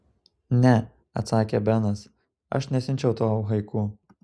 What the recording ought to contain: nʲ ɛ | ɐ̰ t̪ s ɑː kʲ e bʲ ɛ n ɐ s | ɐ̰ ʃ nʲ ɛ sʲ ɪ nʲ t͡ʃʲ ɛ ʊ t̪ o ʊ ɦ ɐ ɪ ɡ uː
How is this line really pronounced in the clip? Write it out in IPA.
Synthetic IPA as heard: nʲ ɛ | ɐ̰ t̪ s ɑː kʲ e bʲ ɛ n ɐ s | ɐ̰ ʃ nʲ ɛ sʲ ɪ nʲ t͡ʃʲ ɛ ʊ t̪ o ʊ ɦ ɐ ɪ k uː